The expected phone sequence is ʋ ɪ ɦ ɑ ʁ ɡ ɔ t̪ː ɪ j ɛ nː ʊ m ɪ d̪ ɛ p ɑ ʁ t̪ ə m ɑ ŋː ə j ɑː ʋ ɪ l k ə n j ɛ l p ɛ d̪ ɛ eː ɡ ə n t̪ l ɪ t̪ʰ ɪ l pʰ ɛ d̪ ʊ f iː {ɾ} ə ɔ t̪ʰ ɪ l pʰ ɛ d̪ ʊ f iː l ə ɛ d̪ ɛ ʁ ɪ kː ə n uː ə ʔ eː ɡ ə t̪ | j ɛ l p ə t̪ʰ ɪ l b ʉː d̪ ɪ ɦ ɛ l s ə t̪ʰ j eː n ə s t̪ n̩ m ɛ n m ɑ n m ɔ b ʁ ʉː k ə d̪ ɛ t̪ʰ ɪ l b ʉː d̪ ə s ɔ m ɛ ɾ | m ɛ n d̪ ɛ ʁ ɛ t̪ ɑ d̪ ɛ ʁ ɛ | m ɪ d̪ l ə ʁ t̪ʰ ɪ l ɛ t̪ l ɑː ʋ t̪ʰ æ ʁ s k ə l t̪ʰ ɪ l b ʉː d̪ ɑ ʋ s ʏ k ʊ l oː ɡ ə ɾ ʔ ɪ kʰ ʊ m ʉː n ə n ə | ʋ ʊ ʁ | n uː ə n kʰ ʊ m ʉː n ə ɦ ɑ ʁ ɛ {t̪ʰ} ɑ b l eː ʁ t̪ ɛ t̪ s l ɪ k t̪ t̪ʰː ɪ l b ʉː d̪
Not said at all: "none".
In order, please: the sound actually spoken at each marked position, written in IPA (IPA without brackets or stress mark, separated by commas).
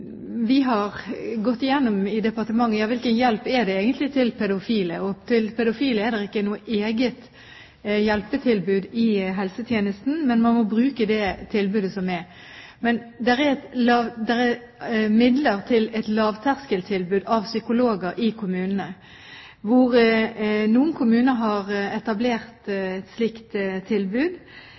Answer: l, t̪